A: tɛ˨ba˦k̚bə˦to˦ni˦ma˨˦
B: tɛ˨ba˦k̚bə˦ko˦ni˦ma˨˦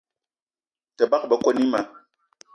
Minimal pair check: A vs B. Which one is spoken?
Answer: B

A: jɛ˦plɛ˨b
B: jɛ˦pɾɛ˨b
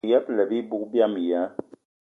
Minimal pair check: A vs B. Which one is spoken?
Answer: A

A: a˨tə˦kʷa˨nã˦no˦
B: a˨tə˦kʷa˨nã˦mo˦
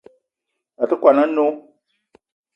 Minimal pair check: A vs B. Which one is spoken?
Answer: A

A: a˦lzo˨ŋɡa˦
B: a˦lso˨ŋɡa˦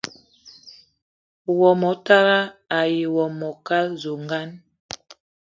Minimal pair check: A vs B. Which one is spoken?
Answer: A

